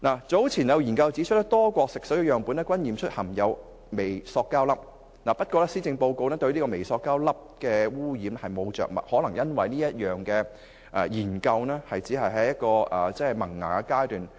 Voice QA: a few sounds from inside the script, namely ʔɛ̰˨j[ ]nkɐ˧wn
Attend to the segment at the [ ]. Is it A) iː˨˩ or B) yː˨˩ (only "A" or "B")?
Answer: A